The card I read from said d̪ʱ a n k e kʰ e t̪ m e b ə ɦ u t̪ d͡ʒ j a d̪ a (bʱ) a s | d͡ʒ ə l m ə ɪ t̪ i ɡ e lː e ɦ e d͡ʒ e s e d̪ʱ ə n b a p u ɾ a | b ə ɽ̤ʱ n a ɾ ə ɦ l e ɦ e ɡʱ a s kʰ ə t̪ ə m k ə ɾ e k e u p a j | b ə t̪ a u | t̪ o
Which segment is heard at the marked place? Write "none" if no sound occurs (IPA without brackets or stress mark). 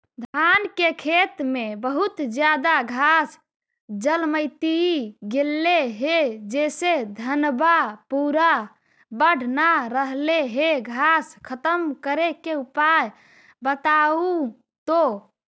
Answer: ɡʱ